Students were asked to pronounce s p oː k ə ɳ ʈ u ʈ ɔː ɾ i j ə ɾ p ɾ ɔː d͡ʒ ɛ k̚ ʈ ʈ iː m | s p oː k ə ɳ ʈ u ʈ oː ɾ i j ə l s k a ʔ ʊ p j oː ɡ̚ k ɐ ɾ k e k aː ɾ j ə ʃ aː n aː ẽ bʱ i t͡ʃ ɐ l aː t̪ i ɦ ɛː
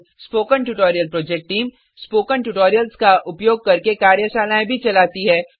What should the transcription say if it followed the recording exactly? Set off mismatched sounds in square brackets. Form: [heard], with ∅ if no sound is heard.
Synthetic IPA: s p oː k ə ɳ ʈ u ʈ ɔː ɾ i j ə [l] p ɾ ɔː d͡ʒ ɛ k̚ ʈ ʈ iː m | s p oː k ə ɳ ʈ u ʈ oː ɾ i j ə l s k a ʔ ʊ p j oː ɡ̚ k ɐ ɾ k e k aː ɾ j ə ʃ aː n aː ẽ bʱ i t͡ʃ ɐ l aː t̪ i ɦ ɛː

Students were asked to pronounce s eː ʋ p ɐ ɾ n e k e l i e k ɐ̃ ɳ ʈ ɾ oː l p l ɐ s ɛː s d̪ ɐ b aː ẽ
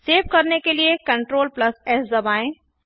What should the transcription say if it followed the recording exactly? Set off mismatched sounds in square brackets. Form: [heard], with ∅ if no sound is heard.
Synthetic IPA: s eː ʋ [k] ɐ ɾ n e k e l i e k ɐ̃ ɳ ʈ ɾ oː l p l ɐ s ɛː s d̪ ɐ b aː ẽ

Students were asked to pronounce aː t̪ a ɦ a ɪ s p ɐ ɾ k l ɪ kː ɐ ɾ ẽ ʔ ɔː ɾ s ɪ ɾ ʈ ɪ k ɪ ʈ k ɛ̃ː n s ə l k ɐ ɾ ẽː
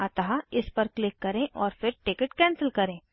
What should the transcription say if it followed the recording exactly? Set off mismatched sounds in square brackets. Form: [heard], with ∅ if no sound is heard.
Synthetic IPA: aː t̪ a ɦ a ɪ s p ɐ ɾ k l ɪ kː ɐ ɾ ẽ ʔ ɔː ɾ [f] ɪ ɾ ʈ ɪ k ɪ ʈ k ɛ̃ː n s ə l k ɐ ɾ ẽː

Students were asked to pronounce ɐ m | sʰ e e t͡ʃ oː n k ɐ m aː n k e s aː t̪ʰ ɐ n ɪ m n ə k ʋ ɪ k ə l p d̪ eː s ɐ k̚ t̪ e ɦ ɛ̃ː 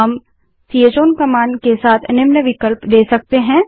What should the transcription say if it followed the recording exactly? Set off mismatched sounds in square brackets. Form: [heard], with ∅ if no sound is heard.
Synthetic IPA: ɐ m | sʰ [i] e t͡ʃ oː n k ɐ m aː n k e s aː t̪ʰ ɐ n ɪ m n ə [∅] ʋ ɪ k ə l p d̪ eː s ɐ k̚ t̪ e ɦ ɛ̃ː

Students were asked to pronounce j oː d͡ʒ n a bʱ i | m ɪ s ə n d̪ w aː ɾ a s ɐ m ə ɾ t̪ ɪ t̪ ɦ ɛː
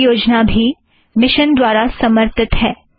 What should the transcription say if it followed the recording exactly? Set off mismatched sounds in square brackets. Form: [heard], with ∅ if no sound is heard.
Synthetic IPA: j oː d͡ʒ n a bʱ i | m ɪ [ʃ] ə n d̪ w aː ɾ a s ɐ m ə ɾ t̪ ɪ t̪ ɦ ɛː

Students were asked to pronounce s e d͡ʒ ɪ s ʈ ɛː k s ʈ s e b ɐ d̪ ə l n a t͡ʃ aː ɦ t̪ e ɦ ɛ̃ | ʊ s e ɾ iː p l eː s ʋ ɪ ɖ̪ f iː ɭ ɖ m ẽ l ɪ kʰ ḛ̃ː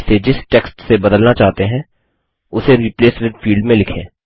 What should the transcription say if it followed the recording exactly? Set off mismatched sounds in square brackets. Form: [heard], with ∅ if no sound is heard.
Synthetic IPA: s e d͡ʒ ɪ s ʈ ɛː k s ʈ s e b ɐ d̪ ə l n a t͡ʃ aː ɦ t̪ e ɦ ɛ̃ | ʊ s e ɾ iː p l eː s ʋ ɪ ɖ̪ f iː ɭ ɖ m ẽ l ɪ kʰ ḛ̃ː

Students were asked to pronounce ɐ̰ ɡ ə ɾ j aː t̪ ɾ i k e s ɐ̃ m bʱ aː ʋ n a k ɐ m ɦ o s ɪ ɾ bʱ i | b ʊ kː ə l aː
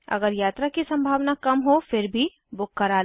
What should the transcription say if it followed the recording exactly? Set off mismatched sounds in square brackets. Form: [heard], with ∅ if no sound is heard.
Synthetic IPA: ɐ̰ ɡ ə ɾ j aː t̪ ɾ [a] k [i] s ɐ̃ m bʱ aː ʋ n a k ɐ m ɦ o [f] ɪ ɾ bʱ i | b ʊ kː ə [ɾ] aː

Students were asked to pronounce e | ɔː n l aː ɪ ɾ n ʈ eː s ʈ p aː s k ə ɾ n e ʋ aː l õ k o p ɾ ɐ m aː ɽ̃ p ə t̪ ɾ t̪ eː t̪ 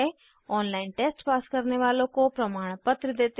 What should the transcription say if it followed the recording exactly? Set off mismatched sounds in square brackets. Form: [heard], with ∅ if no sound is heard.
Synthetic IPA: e | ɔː n l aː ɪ [∅] n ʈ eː s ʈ p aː s k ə ɾ n e ʋ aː l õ k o p ɾ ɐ m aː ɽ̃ p ə t̪ ɾ [d̪] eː t̪

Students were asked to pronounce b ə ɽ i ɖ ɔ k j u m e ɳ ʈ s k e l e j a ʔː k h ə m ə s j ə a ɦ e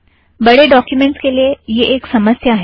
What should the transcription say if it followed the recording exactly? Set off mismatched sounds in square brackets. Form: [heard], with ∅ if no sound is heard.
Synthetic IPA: b ə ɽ [e] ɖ ɔ k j u m e ɳ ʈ s k e l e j [e] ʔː k [s] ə m ə s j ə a ɦ e

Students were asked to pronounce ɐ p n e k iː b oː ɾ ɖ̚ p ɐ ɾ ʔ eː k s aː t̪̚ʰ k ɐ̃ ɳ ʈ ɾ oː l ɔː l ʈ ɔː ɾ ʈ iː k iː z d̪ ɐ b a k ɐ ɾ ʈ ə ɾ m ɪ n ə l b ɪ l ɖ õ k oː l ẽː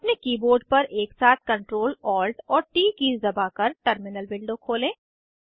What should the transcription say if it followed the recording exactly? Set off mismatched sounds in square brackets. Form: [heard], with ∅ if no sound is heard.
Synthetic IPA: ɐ p n e k iː b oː ɾ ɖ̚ p ɐ ɾ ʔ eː k s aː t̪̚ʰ k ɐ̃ ɳ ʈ ɾ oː l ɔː l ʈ ɔː ɾ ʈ iː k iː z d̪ ɐ b a k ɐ ɾ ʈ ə ɾ m ɪ n ə l b ɪ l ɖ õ [kʰ] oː l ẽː

